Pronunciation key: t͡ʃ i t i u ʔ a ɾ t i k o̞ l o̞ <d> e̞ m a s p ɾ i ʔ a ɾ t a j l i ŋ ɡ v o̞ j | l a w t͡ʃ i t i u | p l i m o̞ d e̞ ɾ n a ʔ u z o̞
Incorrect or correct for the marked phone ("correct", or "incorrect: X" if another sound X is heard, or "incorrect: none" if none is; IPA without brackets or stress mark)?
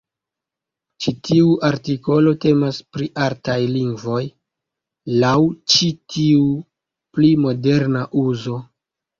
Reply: incorrect: t